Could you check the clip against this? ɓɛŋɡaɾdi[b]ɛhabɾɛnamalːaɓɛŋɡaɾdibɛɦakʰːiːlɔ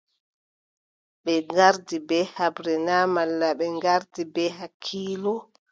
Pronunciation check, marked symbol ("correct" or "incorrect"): correct